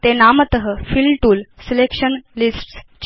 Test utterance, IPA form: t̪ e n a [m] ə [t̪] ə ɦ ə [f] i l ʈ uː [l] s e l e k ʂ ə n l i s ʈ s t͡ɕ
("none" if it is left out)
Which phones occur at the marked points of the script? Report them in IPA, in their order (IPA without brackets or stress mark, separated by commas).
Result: m, t̪, f, l